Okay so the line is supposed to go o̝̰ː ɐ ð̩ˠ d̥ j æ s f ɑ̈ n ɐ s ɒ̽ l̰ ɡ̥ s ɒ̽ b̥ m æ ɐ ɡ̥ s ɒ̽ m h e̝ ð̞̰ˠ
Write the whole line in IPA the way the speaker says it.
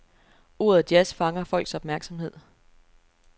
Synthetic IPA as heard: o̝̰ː ɐ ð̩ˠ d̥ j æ s f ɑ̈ ŋ ɐ f ɒ̽ l̰ ɡ̥ s ɒ̽ b̥ m æ ɐ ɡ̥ s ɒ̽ m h e̝ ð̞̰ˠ